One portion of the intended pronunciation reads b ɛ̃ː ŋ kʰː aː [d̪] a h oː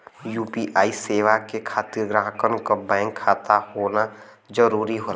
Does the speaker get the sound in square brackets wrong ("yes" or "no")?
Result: yes